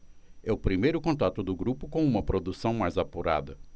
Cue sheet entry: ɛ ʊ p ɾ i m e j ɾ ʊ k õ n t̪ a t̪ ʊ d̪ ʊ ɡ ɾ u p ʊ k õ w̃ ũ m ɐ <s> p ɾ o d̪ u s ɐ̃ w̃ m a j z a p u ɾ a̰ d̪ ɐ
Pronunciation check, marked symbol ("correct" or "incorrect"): incorrect